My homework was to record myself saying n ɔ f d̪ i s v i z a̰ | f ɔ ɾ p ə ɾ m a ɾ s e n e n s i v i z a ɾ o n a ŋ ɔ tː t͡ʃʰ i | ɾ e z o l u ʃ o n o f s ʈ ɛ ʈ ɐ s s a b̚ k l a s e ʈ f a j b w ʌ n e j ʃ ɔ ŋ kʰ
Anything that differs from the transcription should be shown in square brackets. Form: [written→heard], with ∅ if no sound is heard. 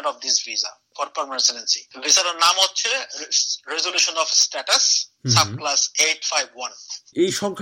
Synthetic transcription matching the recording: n ɔ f d̪ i s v i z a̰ | f ɔ ɾ p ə ɾ m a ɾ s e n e n s i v i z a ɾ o n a [ŋ→m] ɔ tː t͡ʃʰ [i→e] | ɾ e z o l u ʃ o n [o→ɔ] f s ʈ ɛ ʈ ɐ s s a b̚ k l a s e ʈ f a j b w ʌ n e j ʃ ɔ ŋ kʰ